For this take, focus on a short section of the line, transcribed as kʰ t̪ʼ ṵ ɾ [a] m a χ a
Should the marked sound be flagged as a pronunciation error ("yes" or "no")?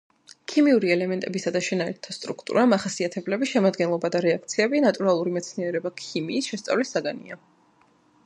no